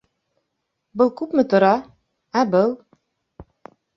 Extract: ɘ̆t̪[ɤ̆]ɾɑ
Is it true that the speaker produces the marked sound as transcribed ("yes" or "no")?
no